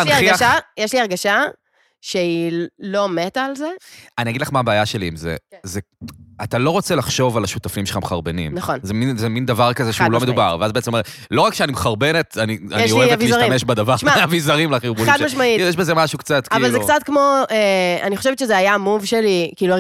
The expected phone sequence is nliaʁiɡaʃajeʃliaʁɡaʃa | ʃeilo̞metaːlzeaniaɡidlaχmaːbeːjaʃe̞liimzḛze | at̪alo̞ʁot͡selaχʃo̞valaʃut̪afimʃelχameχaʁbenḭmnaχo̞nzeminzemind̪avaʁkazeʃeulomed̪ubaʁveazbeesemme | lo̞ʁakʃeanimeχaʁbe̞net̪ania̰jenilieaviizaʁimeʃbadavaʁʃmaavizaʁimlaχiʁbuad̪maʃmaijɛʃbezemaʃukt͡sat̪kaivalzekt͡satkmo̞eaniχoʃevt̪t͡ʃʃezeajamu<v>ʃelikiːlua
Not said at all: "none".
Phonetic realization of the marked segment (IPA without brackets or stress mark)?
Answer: v